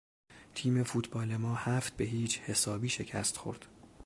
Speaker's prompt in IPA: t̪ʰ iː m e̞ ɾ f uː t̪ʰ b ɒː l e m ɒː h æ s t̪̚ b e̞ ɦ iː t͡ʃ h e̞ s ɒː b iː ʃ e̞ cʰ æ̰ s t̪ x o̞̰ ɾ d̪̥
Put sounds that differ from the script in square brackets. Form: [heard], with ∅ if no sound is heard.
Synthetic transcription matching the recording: t̪ʰ iː m e̞ [∅] f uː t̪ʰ b ɒː l e m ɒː h æ [f] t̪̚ b e̞ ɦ iː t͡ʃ h e̞ s ɒː b iː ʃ e̞ cʰ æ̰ s t̪ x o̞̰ ɾ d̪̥